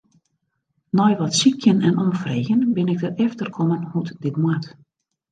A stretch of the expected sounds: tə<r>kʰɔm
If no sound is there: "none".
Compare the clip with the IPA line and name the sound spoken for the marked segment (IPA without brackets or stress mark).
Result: r